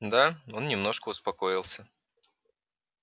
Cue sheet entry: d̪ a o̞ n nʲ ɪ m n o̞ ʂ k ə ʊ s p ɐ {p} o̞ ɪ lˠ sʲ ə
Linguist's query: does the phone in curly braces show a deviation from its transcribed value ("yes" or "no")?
yes